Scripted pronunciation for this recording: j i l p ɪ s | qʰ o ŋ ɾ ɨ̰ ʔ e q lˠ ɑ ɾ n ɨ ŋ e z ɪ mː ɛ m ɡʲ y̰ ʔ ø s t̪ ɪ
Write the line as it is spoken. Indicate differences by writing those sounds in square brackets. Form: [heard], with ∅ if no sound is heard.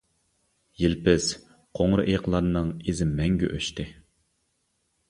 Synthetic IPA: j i l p ɪ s | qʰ o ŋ ɾ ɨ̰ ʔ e q lˠ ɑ ɾ n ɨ ŋ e z ɪ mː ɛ [ŋ] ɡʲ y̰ ʔ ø [ʃ] t̪ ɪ